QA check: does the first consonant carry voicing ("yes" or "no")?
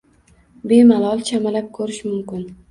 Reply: yes